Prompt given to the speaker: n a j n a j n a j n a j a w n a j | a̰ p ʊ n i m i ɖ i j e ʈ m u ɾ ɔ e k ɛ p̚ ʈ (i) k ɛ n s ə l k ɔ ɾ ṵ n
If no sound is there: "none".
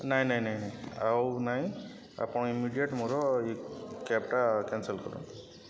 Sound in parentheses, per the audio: a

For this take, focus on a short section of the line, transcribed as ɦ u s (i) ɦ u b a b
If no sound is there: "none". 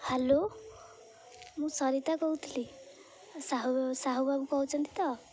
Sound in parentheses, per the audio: a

